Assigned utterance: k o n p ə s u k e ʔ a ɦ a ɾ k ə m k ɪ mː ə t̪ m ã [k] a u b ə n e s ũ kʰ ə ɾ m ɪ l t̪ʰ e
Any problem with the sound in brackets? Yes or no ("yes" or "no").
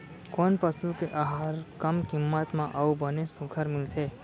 yes